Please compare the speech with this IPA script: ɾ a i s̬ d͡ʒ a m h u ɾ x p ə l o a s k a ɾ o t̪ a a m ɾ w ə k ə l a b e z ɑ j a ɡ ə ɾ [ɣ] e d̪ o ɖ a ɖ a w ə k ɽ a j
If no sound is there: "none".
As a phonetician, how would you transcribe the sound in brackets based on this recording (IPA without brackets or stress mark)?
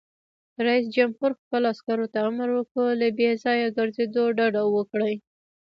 z